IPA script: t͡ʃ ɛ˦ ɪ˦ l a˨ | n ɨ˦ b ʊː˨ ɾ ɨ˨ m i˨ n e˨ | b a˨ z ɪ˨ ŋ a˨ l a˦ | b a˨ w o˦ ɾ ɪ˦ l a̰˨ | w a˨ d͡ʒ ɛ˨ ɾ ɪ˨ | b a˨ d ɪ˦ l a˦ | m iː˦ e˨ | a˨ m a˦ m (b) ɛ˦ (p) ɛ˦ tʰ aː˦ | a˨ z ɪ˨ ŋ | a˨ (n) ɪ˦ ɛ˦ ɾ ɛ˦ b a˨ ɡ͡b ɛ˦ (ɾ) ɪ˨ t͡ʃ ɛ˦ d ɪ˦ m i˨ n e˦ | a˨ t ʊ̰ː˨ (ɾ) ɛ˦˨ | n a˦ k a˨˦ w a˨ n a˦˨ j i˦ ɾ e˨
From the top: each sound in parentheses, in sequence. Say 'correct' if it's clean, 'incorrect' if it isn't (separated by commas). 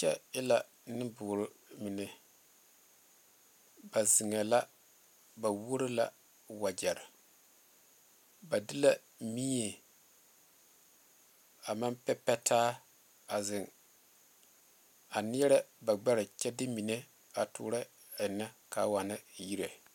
incorrect, correct, correct, correct, correct